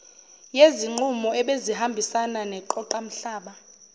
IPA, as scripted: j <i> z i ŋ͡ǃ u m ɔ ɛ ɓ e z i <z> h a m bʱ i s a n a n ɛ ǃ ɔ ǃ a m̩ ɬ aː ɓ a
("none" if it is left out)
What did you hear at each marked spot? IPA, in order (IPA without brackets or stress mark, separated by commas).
e, none